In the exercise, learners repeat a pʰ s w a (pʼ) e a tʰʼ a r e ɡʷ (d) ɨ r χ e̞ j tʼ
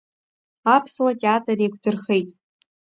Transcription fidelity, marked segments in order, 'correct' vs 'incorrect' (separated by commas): incorrect, correct